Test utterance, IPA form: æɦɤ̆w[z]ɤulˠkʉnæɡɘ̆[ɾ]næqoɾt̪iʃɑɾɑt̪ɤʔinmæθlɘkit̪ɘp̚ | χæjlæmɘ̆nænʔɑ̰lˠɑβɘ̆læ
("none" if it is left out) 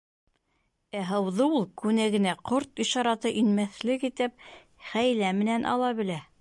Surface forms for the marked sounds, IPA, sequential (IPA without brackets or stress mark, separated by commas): ð, none